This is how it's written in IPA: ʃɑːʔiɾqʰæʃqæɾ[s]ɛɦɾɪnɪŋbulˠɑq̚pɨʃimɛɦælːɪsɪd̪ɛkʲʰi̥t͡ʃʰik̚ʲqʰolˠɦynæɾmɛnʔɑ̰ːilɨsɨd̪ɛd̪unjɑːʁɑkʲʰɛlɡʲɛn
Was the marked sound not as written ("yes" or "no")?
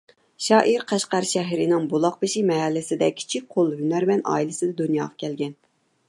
yes